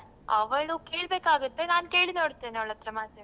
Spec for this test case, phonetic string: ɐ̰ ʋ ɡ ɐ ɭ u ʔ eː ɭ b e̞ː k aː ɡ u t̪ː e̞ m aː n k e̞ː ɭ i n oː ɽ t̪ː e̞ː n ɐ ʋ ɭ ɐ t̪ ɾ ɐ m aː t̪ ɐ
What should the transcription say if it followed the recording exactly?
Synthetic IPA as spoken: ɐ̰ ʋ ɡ ɐ ɭ u k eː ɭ b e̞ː k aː ɡ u t̪ː e̞ n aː n k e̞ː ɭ i n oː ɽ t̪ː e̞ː n ɐ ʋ ɭ ɐ t̪ ɾ ɐ m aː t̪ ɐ